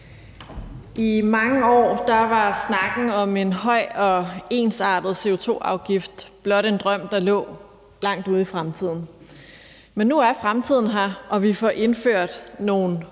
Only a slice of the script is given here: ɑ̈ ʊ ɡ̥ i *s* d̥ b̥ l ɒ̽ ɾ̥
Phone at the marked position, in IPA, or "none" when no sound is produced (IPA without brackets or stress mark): f